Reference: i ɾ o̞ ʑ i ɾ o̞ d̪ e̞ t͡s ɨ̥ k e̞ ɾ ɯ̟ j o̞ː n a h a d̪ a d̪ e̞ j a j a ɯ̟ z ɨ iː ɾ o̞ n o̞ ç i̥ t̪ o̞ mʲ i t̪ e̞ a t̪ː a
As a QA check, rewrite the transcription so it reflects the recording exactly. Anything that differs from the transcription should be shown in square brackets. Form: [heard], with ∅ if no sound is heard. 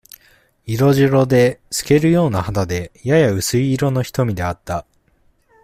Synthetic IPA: i ɾ o̞ ʑ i ɾ o̞ d̪ e̞ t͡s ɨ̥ k e̞ ɾ ɯ̟ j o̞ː n a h a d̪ a d̪ e̞ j a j a ɯ̟ [s] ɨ iː ɾ o̞ n o̞ ç i̥ t̪ o̞ mʲ i [d̪] e̞ a t̪ː a